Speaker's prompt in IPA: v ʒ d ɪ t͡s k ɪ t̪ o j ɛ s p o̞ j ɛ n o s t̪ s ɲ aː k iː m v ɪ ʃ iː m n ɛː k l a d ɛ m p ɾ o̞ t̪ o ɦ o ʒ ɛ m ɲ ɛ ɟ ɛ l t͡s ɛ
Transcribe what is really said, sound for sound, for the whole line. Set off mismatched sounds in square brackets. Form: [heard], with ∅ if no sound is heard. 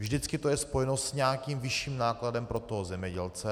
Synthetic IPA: v ʒ d ɪ t͡s k ɪ t̪ o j ɛ s p o̞ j ɛ n o s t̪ s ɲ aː k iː m v ɪ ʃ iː m n [aː] k l a d ɛ m p ɾ o̞ t̪ o ɦ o [z] ɛ m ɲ ɛ ɟ ɛ l t͡s ɛ